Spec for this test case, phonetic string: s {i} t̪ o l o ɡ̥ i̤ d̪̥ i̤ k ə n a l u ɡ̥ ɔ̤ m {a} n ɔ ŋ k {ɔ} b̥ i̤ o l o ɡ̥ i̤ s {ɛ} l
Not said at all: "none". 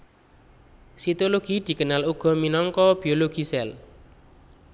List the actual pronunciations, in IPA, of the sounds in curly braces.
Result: i, i, ɔ, ɛ

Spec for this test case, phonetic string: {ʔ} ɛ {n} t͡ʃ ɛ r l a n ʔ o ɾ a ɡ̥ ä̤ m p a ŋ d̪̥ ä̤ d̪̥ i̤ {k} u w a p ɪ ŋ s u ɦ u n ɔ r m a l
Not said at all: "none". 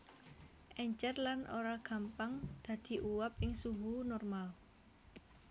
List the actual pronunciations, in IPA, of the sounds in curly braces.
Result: ʔ, ɲ, ʔ

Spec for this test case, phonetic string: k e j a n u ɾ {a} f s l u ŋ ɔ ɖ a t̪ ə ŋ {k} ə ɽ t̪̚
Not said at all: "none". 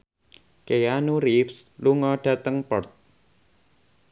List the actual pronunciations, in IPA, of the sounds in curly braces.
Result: i, p

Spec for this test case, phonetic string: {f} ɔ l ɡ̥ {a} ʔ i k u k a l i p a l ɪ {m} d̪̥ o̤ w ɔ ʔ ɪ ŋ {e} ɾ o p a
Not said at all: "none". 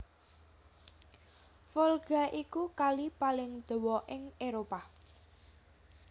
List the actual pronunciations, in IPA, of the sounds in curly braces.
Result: f, a, ŋ, e

